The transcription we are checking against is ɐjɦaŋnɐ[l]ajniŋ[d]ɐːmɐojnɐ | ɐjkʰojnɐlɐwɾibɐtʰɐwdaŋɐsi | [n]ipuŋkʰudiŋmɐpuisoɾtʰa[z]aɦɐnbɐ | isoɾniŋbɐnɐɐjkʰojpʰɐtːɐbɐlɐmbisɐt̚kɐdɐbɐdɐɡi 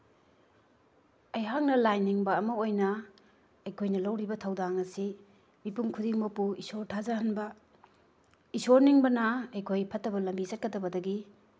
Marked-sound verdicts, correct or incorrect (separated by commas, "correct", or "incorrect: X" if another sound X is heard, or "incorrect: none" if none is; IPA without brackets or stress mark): correct, incorrect: b, incorrect: m, correct